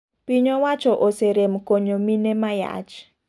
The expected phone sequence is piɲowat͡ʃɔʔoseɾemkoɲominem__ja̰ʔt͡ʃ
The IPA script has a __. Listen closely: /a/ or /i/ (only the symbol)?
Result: a